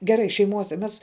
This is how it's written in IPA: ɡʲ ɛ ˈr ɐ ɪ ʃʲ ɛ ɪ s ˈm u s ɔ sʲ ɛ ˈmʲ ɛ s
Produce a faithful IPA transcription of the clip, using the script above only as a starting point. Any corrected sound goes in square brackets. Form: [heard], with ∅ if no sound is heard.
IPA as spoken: ɡʲ ɛ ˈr ɐ ɪ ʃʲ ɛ ɪ [∅] ˈm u [∅] ɔ sʲ ɛ ˈmʲ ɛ s